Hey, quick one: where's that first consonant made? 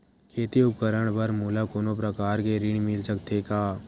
velum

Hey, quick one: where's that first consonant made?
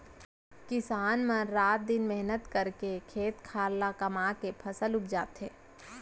velum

